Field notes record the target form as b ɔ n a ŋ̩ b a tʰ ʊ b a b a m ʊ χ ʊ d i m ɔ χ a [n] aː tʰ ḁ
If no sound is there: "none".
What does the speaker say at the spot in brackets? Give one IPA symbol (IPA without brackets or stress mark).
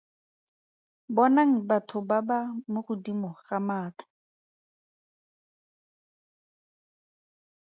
m